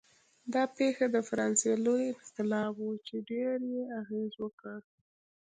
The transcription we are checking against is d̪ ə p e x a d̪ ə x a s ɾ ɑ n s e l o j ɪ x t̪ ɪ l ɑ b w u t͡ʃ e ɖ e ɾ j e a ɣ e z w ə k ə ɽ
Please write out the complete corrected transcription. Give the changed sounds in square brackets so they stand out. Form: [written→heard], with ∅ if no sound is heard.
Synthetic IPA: d̪ [ə→ɑ] p e x a d̪ ə [x→f] a [s→∅] ɾ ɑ n s e l o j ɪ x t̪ ɪ l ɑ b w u t͡ʃ e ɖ e ɾ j e a ɣ e z w ə k ə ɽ